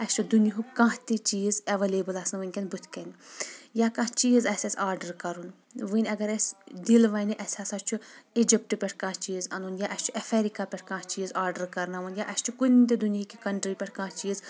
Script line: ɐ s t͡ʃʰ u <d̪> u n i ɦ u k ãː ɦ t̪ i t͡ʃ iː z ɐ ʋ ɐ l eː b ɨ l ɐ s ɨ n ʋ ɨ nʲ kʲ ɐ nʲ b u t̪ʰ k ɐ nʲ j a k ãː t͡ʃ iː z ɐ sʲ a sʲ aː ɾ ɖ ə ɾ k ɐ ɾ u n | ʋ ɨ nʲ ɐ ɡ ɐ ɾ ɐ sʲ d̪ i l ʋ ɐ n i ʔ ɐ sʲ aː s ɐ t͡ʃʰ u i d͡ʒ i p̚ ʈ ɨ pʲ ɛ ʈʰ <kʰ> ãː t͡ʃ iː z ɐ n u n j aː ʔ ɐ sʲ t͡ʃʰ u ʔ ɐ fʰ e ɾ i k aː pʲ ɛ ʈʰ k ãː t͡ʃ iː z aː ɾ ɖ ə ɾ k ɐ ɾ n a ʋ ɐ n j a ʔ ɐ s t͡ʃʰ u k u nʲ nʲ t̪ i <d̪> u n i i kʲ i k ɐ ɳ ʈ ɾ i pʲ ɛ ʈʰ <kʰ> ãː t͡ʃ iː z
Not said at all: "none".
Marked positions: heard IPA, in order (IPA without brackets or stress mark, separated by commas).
d̪, k, d̪, k